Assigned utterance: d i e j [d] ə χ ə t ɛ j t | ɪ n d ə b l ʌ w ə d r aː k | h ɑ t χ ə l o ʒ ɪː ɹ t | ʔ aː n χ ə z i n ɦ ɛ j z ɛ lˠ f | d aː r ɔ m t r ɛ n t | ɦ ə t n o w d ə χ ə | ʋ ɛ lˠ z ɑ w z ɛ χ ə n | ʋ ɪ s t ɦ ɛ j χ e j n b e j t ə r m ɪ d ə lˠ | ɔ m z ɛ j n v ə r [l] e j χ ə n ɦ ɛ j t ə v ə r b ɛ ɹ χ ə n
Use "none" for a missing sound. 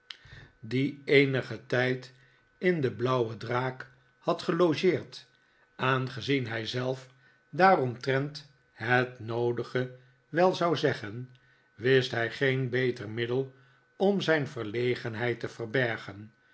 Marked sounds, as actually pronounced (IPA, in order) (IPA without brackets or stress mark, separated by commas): n, l